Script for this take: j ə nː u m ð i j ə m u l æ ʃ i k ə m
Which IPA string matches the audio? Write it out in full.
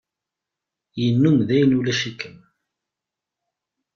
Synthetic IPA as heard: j ə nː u m ð æ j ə n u l æ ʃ i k ə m